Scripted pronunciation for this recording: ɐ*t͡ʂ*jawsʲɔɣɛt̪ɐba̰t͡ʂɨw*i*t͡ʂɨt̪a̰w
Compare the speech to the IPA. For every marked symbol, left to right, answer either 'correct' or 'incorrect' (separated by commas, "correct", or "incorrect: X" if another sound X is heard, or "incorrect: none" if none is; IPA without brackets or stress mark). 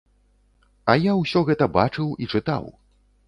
incorrect: none, correct